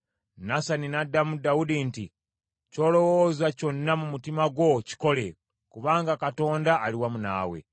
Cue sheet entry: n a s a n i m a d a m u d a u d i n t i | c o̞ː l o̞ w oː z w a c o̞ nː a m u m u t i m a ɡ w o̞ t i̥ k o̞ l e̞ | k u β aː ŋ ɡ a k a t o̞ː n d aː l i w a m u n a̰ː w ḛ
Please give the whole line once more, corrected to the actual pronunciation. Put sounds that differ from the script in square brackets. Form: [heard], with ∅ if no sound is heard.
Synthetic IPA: n a s a n i [n] a d a m u d a u d i n t i | c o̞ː l o̞ w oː z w a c o̞ nː a m u m u t i m a ɡ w o̞ [c] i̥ k o̞ l e̞ | k u β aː ŋ ɡ a k a t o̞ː n d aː l i w a m u n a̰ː w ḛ